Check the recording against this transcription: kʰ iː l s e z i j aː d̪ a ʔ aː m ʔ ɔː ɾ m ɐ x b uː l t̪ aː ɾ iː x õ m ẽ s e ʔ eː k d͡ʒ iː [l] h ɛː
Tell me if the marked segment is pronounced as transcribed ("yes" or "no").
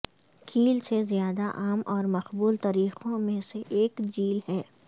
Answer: yes